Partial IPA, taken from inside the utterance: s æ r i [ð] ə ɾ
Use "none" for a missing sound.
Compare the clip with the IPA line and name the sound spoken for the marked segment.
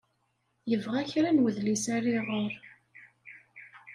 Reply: ʁ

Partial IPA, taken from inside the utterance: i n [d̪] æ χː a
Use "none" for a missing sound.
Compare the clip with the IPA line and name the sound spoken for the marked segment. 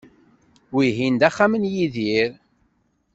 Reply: d̪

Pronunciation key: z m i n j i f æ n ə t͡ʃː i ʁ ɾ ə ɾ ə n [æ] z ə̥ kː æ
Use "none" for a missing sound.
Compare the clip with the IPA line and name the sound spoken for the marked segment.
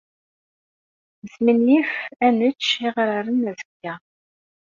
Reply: æ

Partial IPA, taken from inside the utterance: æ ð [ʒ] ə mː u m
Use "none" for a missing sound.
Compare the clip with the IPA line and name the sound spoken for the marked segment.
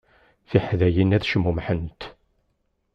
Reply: ʃ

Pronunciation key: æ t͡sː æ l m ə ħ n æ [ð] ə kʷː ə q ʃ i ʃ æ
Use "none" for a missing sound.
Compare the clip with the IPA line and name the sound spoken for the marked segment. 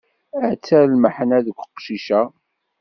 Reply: ð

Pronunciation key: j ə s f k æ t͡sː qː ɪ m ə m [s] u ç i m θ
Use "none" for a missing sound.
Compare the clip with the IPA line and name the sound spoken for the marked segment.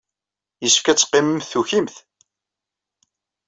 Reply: θ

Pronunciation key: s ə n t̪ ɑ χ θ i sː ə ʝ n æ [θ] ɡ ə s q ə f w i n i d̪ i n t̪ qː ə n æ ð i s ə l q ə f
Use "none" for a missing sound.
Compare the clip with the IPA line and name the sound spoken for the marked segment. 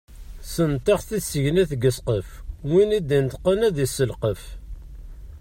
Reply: θ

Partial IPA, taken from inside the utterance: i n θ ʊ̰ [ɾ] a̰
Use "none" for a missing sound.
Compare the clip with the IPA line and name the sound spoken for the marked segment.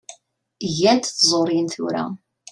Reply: ɾ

